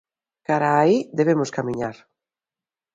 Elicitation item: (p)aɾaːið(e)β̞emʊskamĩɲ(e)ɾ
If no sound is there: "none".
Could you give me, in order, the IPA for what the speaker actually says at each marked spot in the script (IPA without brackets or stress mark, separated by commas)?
k, e, a